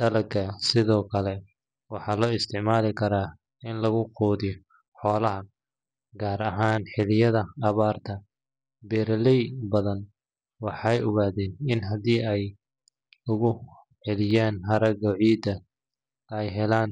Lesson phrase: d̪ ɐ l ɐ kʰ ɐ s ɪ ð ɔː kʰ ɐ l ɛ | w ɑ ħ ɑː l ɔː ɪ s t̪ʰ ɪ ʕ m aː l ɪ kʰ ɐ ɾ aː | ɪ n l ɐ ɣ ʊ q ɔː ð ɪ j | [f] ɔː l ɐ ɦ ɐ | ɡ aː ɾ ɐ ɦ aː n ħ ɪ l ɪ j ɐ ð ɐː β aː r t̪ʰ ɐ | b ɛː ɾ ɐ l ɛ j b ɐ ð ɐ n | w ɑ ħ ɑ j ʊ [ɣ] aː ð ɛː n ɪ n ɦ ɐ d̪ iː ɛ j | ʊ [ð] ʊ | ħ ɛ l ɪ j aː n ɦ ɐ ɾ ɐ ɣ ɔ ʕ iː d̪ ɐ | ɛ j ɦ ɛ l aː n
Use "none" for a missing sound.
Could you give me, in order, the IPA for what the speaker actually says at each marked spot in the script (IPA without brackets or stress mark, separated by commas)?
ħ, ɣ, ɣ